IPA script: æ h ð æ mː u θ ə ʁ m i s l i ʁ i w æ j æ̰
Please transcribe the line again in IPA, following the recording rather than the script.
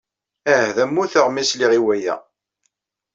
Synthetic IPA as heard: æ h ð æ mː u θ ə ʁ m i s l i ʁ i w æ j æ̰